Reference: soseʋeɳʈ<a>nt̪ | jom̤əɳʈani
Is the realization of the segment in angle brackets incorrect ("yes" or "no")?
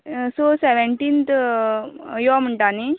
yes